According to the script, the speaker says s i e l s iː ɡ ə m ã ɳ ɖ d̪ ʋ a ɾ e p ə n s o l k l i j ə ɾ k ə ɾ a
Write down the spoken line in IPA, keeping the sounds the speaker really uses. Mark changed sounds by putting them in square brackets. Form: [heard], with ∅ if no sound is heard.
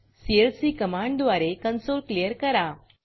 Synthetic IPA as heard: s i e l s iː [k] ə m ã ɳ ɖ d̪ ʋ a ɾ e [k] ə n s o l k l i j ə ɾ k ə ɾ a